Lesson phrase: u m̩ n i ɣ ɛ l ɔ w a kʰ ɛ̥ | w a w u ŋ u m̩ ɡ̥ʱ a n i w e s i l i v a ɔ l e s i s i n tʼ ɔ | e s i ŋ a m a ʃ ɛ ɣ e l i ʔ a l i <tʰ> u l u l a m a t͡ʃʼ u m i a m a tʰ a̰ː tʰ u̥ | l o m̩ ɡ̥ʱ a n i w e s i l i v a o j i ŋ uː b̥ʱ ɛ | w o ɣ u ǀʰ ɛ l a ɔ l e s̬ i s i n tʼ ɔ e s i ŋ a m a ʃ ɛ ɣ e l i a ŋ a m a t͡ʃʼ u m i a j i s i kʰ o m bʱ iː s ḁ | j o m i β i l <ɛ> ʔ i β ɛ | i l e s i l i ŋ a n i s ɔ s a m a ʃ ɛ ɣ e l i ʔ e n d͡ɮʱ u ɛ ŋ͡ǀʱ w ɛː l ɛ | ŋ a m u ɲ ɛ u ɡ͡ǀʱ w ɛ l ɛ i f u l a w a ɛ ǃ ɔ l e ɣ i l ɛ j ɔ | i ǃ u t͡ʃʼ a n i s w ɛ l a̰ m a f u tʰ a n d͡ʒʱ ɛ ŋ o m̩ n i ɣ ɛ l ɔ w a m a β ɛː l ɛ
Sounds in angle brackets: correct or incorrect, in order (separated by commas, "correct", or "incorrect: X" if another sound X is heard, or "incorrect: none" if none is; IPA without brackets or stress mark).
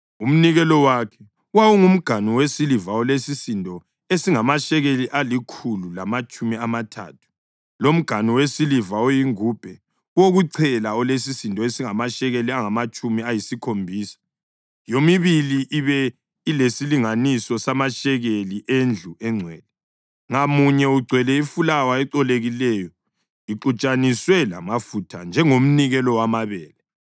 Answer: incorrect: kʰ, incorrect: i